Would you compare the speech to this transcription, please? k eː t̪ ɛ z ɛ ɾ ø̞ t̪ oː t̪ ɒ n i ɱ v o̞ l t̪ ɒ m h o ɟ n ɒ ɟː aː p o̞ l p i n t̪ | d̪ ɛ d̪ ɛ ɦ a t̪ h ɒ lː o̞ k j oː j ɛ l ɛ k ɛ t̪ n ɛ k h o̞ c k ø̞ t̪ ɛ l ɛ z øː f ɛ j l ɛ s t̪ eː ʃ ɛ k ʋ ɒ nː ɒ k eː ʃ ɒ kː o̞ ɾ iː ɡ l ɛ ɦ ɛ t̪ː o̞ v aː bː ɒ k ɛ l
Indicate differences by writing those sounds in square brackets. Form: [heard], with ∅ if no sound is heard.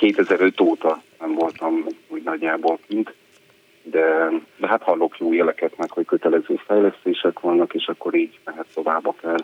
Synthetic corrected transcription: k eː t̪ ɛ z ɛ ɾ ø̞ t̪ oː t̪ ɒ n [ɛ] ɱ v o̞ l t̪ ɒ m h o ɟ n ɒ ɟː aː [b] o̞ l [k] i n t̪ | d̪ ɛ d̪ ɛ ɦ a t̪ h ɒ lː o̞ k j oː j ɛ l ɛ k ɛ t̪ n ɛ k h o̞ c k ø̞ t̪ ɛ l ɛ z øː f ɛ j l ɛ s t̪ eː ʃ ɛ k ʋ ɒ nː ɒ k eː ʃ ɒ kː o̞ ɾ iː [ɟ] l ɛ ɦ ɛ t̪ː o̞ v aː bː ɒ k ɛ l